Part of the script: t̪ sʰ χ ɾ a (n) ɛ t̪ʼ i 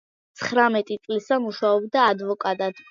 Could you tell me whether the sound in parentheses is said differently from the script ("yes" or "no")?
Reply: yes